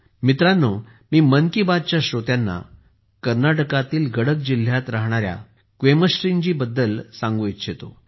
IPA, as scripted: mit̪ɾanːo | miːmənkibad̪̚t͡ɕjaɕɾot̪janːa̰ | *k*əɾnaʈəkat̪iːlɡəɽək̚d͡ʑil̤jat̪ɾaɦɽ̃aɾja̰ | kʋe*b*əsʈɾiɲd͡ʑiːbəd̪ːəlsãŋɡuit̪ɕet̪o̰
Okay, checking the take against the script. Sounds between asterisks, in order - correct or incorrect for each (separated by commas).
correct, incorrect